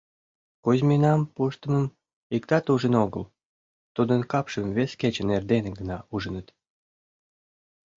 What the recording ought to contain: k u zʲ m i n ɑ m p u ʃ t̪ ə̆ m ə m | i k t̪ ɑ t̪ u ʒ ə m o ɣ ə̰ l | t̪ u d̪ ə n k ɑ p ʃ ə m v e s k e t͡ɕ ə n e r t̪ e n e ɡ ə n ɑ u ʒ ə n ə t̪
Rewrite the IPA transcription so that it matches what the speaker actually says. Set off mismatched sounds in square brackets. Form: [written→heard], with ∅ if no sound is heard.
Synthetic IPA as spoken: k u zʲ m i n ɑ m p u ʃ t̪ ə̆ m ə m | i k t̪ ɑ t̪ u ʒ ə [m→n] o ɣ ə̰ l | t̪ u d̪ ə n k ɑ p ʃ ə m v e s k e t͡ɕ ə n e r [t̪→d̪] e n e ɡ ə n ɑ u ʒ ə n ə t̪